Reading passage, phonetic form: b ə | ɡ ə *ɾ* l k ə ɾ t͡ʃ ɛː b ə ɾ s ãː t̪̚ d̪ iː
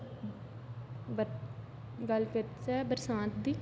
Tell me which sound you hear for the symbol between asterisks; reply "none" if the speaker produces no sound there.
none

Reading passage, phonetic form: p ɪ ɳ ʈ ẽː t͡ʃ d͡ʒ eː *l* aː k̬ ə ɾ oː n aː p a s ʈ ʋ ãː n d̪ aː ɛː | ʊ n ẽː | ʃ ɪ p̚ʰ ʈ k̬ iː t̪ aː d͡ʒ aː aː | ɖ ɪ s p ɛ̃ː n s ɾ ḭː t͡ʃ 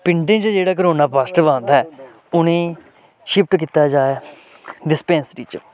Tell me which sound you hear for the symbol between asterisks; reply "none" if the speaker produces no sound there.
ɽ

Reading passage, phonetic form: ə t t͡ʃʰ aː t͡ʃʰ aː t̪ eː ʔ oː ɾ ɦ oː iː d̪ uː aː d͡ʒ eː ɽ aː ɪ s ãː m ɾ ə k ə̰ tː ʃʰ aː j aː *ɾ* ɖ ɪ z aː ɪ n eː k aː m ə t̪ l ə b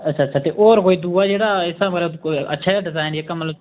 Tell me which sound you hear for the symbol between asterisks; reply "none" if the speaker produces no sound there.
none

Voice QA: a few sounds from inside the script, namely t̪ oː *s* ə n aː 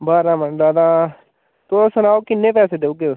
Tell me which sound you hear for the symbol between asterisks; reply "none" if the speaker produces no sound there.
s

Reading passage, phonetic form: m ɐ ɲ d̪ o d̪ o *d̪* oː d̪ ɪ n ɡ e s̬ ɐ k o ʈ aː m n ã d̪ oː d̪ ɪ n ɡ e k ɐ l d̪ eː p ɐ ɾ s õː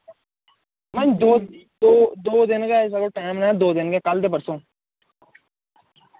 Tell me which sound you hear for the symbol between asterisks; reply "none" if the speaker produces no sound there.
d̪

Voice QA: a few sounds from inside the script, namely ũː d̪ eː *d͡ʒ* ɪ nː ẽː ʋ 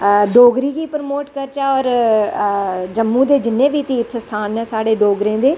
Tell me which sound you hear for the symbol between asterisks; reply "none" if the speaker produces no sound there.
d͡ʒ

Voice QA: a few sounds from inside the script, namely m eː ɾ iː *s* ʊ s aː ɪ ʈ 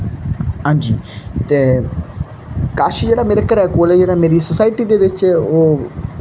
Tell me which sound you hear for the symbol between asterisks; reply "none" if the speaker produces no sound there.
s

